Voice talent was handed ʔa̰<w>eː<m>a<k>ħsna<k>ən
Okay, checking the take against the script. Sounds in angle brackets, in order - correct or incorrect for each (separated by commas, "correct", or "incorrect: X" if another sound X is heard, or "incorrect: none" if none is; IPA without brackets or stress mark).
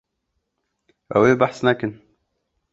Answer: correct, incorrect: b, incorrect: none, correct